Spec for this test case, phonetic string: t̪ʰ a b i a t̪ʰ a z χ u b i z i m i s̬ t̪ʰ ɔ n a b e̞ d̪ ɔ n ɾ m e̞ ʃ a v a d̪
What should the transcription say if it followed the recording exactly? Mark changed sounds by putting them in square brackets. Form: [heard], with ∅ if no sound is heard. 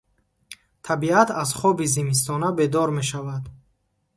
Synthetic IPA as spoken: t̪ʰ a b i a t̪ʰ a z χ [ɔ] b i z i m i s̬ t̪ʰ ɔ n a b e̞ d̪ ɔ [∅] ɾ m e̞ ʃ a v a d̪